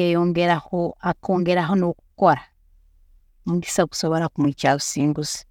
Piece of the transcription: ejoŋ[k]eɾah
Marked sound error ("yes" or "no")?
yes